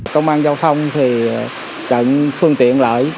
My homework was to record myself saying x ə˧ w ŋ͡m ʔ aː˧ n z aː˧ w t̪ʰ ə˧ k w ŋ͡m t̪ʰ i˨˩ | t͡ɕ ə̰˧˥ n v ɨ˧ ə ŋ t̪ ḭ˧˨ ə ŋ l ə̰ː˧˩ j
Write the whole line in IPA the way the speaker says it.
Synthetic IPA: k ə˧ w ŋ͡m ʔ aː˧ n z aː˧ w t̪ʰ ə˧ w ŋ͡m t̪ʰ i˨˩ | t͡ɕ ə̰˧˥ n f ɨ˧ ə ŋ t̪ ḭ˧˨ ə n l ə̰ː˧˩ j